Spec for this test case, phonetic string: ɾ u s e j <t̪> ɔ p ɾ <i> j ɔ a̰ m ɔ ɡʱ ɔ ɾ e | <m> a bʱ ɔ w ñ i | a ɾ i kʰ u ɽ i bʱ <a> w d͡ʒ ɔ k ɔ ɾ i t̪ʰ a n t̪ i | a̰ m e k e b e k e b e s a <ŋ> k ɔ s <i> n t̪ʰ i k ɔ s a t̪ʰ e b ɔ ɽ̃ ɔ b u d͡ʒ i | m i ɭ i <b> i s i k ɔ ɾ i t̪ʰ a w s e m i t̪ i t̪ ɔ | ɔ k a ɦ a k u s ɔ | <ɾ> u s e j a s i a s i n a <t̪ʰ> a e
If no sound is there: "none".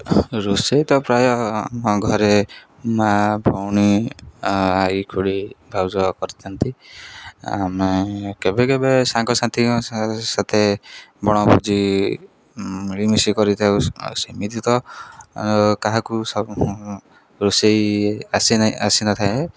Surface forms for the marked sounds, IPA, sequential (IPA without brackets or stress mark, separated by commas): t̪, a, m, a, ŋ, a, m, ɾ, t̪ʰ